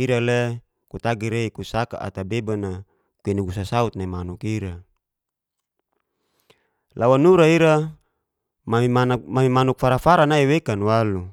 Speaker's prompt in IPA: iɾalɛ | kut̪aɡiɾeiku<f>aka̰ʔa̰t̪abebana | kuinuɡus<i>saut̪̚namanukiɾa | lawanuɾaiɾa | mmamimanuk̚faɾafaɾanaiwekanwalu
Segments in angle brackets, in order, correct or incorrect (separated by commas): incorrect, incorrect